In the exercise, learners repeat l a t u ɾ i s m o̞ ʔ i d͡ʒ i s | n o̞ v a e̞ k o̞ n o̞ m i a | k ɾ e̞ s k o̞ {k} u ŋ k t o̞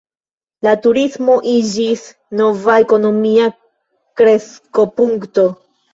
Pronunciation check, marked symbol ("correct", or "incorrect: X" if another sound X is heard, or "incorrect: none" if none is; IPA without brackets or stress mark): incorrect: p